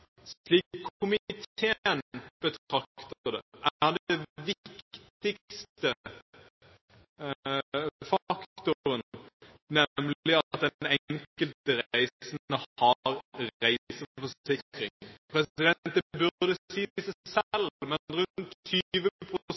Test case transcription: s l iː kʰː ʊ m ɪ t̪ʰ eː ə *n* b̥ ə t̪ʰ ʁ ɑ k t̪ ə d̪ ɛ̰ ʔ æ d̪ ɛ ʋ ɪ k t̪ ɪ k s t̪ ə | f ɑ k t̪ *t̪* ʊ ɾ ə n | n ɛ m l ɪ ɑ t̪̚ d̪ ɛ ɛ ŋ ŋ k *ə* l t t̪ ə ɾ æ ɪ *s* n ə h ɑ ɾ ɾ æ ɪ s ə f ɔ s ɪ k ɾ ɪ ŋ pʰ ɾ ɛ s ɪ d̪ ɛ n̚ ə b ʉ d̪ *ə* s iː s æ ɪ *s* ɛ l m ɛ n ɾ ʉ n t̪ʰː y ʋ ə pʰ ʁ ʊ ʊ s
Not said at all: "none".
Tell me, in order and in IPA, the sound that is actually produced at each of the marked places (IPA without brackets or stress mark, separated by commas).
n, t̪, ə, s, ə, s